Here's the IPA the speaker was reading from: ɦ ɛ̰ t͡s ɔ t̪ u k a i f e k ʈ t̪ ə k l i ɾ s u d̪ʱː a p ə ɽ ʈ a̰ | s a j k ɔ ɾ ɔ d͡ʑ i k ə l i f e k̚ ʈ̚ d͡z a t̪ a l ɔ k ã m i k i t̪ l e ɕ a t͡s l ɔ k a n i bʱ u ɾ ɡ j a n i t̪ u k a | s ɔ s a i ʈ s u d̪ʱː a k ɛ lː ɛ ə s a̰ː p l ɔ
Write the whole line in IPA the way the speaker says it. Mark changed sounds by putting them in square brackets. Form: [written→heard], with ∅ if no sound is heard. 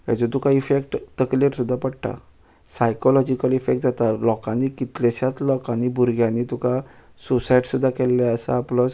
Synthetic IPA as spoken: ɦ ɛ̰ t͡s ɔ t̪ u k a i f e k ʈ t̪ ə k l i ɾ s u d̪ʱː a p ə ɽ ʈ a̰ | s a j k ɔ [ɾ→l] ɔ d͡ʑ i k ə l i f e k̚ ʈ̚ d͡z a t̪ a l ɔ k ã [m→n] i k i t̪ l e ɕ a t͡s l ɔ k a n i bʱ u ɾ ɡ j a n i t̪ u k a | s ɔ s a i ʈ s u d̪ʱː a k ɛ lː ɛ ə s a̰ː p l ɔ